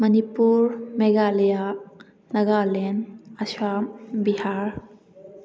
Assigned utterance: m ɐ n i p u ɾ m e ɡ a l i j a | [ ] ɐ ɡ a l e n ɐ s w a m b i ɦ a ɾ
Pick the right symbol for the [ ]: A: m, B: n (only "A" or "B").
B